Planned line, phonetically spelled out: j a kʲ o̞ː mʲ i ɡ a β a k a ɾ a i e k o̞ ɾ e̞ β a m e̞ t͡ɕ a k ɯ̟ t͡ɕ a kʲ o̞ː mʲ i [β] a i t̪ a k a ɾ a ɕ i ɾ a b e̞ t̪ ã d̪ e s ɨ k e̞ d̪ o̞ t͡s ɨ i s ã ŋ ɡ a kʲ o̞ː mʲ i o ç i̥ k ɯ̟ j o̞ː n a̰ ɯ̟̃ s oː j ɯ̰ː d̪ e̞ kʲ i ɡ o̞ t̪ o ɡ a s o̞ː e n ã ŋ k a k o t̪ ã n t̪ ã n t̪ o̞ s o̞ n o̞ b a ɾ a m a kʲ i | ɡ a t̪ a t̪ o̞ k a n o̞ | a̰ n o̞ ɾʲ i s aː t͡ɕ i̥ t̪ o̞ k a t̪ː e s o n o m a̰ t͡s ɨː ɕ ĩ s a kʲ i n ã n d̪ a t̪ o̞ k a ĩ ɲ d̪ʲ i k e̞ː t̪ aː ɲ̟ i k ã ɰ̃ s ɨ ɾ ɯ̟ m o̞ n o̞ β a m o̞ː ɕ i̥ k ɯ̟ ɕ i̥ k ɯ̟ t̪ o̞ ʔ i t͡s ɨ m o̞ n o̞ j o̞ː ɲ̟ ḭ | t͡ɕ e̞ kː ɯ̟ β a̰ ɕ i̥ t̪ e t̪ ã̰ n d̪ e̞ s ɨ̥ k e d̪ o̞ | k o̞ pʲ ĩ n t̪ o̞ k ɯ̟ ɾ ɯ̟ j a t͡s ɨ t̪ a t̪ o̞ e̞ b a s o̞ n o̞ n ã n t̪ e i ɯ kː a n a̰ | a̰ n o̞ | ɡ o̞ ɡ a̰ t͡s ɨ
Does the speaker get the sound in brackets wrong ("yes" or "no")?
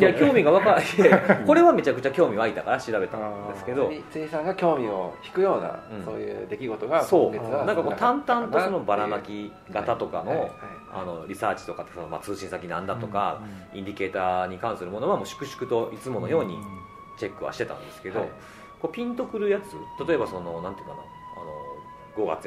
no